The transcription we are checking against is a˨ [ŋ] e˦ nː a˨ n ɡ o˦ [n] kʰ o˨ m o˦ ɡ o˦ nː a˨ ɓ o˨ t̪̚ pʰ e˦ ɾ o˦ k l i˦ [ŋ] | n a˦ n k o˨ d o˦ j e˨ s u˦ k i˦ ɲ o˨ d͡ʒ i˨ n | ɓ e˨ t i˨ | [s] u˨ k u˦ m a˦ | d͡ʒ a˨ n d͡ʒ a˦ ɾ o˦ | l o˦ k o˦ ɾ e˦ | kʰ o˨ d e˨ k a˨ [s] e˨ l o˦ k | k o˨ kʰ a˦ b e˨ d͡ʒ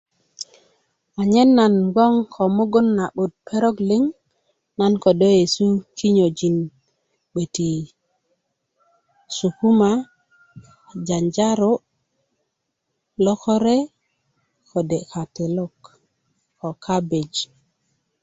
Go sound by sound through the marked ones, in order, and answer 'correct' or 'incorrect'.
incorrect: ɲ, incorrect: ŋ, correct, correct, incorrect: t

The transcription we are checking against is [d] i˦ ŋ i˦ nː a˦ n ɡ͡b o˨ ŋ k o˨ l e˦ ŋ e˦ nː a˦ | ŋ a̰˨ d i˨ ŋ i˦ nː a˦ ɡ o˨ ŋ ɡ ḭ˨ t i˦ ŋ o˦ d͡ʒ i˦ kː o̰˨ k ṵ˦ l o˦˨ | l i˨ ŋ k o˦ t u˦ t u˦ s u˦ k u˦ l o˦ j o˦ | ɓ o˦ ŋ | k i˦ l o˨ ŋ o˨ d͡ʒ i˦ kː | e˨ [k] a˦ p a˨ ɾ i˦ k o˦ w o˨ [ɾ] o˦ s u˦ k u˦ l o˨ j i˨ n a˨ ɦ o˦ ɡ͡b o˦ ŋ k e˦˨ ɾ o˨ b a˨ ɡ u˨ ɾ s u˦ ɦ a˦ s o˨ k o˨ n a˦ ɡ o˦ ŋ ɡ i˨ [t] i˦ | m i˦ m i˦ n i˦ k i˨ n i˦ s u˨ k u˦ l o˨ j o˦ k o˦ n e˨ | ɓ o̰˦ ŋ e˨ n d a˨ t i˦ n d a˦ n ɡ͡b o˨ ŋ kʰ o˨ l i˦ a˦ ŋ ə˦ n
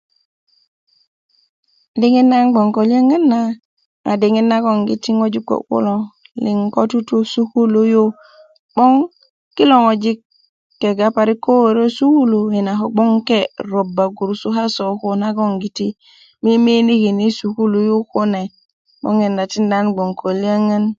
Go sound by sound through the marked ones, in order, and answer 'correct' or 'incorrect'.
correct, incorrect: ɡ, correct, correct

